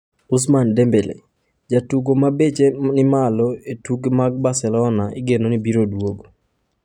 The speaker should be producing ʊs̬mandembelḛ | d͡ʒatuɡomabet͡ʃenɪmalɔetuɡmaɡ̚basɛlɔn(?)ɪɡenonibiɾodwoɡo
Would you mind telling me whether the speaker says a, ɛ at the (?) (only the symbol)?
a